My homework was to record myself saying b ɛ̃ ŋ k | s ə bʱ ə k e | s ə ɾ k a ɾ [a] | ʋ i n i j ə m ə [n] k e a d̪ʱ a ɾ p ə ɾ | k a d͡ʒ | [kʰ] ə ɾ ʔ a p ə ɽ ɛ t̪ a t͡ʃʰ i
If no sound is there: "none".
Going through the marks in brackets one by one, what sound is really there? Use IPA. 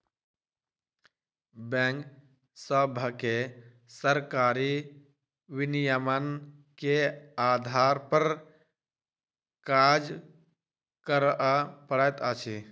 i, n, k

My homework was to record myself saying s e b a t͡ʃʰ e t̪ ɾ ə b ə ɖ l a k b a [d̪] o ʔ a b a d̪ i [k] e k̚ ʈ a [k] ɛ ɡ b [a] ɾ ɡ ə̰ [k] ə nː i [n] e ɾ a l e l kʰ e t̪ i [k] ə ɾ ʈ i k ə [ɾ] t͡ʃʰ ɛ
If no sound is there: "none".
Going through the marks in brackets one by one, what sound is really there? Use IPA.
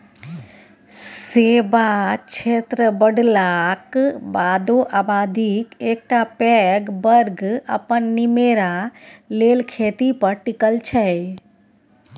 d̪, k, p, ə, p, m, p, l

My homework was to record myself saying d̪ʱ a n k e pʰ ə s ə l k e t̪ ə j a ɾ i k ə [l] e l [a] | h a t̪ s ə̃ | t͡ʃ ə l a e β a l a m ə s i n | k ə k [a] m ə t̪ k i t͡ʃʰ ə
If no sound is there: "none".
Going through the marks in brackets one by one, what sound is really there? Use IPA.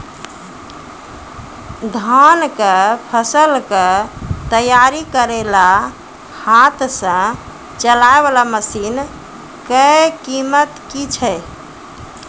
ɾ, a, i

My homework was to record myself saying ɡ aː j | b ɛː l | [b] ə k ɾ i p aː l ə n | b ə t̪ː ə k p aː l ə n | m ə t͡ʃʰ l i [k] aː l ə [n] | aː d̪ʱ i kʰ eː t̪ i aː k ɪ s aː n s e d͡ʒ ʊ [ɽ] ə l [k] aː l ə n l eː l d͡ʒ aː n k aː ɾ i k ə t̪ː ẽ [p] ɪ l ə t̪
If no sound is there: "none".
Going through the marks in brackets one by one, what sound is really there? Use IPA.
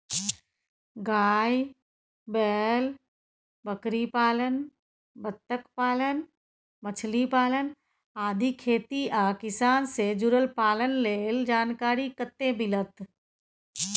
b, p, n, ɾ, p, b

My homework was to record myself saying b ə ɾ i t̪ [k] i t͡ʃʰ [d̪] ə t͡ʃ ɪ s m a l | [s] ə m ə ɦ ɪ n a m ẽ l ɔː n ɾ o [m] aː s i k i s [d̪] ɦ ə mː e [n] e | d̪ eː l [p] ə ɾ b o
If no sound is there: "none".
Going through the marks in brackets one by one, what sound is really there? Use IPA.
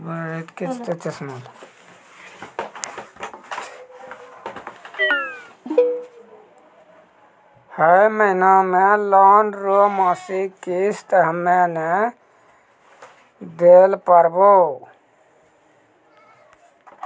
k, t̪, h, m, t̪, n, p

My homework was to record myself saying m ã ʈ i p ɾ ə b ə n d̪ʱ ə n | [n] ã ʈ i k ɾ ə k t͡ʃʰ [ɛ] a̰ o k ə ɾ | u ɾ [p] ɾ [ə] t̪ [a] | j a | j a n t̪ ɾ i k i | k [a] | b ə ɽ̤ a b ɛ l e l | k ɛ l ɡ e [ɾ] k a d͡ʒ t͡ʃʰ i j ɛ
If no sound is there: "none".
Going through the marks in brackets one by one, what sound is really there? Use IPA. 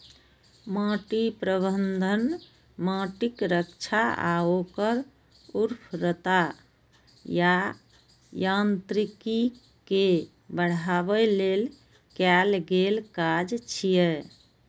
m, a, pʰ, ə, a, e, l

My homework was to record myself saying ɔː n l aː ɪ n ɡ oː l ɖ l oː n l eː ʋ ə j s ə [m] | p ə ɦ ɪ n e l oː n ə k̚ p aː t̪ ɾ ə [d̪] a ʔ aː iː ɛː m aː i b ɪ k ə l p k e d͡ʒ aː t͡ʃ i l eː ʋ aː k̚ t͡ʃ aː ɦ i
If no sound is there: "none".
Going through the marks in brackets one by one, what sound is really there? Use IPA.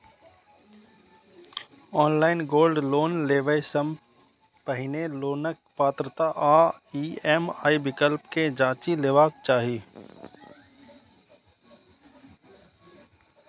m, t̪

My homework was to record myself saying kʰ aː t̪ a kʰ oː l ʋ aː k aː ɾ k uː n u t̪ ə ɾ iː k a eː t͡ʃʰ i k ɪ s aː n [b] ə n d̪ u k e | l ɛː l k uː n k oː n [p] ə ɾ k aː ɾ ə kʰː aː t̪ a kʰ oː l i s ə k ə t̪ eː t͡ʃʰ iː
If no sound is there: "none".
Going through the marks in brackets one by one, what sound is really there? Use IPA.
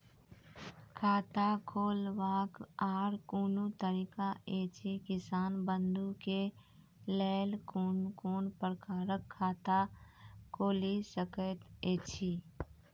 b, p

